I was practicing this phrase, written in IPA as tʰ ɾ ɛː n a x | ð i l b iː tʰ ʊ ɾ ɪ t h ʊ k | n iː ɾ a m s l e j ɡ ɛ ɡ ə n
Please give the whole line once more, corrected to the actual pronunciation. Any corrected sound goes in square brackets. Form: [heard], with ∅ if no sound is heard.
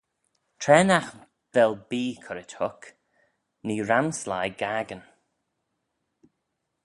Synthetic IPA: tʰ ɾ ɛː n a x | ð [ɛ] l b iː [kʰ] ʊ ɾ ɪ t h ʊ k | n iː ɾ a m s l [a] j ɡ [a] ɡ ə n